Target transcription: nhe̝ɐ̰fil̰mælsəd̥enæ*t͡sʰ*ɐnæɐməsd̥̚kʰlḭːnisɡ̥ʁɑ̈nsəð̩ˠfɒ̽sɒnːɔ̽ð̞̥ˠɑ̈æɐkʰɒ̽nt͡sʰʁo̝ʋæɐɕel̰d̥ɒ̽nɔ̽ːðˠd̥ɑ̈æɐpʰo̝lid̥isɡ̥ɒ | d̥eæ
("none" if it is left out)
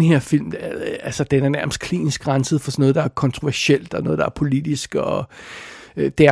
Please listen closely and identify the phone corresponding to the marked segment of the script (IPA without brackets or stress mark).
none